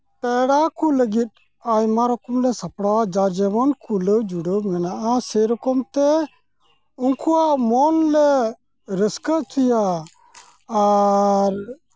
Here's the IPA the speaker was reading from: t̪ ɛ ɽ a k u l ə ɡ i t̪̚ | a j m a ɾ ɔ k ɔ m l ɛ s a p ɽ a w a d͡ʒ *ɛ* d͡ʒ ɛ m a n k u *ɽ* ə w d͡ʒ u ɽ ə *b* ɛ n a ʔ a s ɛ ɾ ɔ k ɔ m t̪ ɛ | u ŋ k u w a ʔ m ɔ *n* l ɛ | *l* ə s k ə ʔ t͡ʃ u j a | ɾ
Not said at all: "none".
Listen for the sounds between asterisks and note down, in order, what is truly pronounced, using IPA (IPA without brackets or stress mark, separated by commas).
a, l, m, n, ɾ